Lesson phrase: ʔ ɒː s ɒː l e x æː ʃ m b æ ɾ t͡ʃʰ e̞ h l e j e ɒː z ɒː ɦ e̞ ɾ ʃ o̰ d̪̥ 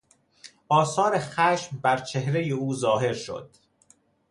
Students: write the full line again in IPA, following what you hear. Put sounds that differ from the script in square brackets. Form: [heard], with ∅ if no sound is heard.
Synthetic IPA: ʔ ɒː s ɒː [ɾ] e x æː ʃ m b æ ɾ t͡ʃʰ e̞ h [ɾ] e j e [uː] z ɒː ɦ e̞ ɾ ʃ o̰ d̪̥